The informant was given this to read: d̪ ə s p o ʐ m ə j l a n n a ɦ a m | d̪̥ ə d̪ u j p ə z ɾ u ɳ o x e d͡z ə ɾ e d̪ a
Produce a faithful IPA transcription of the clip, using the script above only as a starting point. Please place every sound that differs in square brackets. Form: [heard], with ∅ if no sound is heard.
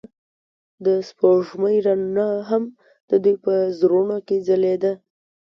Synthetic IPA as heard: d̪ ə s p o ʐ m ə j [ɾ] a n n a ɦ a m | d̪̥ ə d̪ u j p ə z ɾ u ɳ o [k] e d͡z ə [l] e d̪ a